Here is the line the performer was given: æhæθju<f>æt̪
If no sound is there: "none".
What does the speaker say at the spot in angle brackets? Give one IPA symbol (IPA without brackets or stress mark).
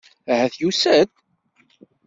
s